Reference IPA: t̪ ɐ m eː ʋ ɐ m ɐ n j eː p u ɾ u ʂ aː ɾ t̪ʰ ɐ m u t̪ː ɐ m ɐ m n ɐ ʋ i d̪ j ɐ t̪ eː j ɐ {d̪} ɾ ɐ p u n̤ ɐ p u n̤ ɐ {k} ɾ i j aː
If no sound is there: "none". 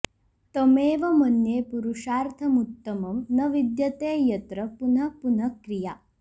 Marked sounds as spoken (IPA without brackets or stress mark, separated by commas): t̪, k